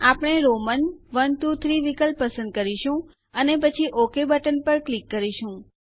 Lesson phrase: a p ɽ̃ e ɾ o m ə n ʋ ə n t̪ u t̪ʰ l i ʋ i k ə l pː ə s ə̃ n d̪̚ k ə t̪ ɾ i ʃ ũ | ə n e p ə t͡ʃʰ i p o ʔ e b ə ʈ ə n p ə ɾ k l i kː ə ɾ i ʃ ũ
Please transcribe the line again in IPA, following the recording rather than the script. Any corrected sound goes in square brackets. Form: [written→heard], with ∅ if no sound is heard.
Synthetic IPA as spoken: a p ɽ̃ e ɾ o m ə n ʋ ə n t̪ u t̪ʰ [l→ɾ] i ʋ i k ə l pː ə s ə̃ n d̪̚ k ə [t̪→∅] ɾ i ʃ ũ | ə n e p ə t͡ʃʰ i [p→ʔ] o [ʔ→k] e b ə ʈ ə n p ə ɾ k l i kː ə ɾ i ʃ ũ

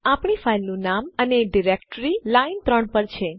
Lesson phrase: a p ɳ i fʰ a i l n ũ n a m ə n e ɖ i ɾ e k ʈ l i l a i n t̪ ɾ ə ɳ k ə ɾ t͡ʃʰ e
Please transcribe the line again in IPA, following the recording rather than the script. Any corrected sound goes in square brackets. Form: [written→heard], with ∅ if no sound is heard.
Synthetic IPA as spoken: a p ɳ i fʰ a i l n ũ n a m ə n e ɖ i ɾ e k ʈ [l→ɾ] i l a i n t̪ ɾ ə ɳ [k→p] ə ɾ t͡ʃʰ e

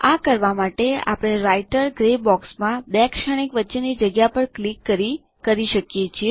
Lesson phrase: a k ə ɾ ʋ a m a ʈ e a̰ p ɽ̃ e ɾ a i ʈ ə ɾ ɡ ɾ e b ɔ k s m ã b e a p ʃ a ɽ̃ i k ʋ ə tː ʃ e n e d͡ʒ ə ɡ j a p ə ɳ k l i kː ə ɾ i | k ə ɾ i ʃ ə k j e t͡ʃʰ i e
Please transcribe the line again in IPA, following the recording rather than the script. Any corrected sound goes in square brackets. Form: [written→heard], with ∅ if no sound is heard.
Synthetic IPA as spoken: a k ə ɾ ʋ a m a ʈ e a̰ p ɽ̃ e ɾ a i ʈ ə ɾ ɡ ɾ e b ɔ k s m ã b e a [p→k] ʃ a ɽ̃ i k ʋ ə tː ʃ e n [e→i] d͡ʒ ə ɡ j a p ə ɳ k l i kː ə ɾ i | k ə ɾ i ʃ ə k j e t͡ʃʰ i e

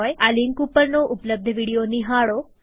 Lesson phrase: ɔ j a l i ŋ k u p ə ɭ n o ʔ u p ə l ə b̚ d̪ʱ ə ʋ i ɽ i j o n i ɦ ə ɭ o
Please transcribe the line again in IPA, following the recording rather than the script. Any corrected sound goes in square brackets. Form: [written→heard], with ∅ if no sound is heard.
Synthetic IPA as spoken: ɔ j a l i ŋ k u p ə [ɭ→ɾ] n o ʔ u p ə l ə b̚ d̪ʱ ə ʋ i ɽ i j o n i ɦ [ə→a] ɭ o

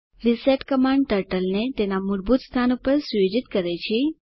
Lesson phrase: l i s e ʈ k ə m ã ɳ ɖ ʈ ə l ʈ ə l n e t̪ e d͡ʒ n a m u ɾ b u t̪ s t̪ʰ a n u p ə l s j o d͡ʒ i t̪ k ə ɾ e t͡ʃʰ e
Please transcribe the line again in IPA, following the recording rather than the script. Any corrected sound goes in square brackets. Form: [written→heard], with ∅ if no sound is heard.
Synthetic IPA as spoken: [l→ɾ] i s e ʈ k ə m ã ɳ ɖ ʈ ə [l→ɾ] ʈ ə l n e t̪ e [d͡ʒ→∅] n a m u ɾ b u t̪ s t̪ʰ a n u p ə [l→ɾ] s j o d͡ʒ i t̪ k ə ɾ e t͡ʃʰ e

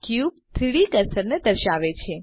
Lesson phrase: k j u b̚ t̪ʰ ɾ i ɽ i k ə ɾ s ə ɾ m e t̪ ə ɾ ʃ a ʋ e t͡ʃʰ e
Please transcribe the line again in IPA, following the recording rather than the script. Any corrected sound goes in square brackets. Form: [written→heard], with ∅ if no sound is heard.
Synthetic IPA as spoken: k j u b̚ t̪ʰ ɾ i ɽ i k ə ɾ s ə ɾ [m→n] e [t̪→d̪] ə ɾ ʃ a ʋ e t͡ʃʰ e

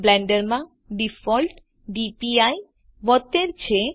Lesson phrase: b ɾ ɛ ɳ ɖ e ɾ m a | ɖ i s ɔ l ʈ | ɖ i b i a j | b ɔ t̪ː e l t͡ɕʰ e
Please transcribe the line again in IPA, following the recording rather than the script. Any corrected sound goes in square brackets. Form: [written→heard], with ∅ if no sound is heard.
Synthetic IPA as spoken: b [ɾ→l] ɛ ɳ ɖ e ɾ m a | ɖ i [s→f] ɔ l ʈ | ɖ i [b→p] i a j | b ɔ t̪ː e [l→ɾ] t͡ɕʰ e

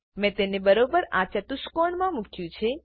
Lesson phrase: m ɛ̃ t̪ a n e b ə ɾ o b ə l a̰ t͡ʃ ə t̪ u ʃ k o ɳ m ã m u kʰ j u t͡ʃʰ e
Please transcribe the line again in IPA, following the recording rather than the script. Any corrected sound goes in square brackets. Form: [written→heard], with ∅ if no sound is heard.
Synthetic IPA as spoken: m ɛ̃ t̪ [a→e] n e b ə ɾ o b ə [l→ɾ] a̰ t͡ʃ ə t̪ u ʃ k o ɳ m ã m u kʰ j [u→ũ] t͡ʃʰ e

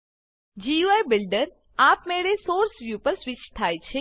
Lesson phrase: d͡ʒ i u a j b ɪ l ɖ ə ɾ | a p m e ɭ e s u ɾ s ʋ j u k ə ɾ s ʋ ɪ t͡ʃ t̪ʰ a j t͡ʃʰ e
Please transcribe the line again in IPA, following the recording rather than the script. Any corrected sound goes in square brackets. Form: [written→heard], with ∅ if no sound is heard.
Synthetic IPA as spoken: d͡ʒ i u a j b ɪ l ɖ ə ɾ | a p m e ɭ e s [u→o] ɾ s ʋ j u [k→p] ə ɾ s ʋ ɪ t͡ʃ t̪ʰ a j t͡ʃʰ e

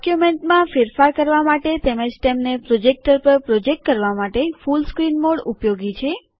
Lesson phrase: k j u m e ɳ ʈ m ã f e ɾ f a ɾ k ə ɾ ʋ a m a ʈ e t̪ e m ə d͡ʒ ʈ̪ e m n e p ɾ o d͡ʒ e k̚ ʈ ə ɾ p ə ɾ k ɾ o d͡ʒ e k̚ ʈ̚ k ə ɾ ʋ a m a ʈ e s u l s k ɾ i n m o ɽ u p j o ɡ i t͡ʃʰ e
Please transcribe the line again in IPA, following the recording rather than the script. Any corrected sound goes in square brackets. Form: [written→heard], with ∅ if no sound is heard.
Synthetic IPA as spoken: k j u m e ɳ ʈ m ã f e ɾ f a ɾ k ə ɾ ʋ a m a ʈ e t̪ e m ə d͡ʒ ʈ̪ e m n e p ɾ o d͡ʒ e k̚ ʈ ə ɾ p ə ɾ [k→p] ɾ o d͡ʒ e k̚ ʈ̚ k ə ɾ ʋ a m a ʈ e [s→f] u l s k ɾ i n m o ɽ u p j o ɡ i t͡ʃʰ e

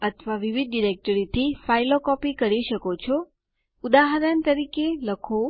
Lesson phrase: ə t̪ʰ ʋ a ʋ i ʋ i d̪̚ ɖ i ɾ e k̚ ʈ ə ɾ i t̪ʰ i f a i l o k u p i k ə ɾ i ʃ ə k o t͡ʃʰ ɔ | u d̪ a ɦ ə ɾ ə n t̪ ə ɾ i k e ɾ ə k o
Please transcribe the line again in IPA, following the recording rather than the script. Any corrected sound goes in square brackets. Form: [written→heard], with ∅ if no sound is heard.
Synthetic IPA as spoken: ə t̪ʰ ʋ a ʋ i ʋ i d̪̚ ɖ i ɾ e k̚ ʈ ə ɾ i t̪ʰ i f a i l o k [u→ɔ] p i k ə ɾ i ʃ ə k o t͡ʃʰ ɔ | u d̪ a ɦ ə ɾ ə n t̪ ə ɾ i k e [ɾ→l] ə [k→kʰ] o

